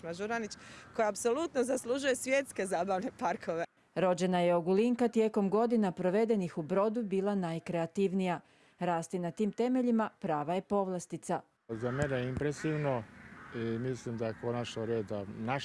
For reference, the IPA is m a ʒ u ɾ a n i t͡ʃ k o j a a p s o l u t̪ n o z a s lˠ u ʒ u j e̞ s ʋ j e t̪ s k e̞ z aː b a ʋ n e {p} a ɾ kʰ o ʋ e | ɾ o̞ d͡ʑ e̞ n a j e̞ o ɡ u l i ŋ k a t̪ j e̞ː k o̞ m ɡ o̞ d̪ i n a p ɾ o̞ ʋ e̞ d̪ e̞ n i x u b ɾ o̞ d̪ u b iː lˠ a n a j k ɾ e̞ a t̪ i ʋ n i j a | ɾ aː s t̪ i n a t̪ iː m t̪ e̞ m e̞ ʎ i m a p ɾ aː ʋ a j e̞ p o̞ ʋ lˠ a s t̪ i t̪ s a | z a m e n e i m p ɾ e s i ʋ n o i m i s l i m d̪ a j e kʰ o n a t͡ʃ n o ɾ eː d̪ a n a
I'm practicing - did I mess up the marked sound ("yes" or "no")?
no